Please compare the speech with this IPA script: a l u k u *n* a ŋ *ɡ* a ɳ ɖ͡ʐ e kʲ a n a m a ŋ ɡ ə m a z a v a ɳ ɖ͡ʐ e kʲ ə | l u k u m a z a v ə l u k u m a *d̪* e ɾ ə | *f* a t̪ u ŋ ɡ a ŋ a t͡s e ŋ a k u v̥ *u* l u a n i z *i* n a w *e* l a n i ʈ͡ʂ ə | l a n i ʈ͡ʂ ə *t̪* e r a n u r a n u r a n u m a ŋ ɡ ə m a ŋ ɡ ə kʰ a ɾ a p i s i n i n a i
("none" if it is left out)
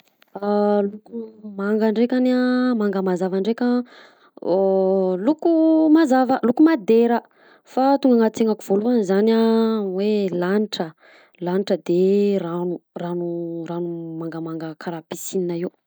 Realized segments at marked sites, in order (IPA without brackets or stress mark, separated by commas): m, ɡ, d̪, f, o, a, e, d̪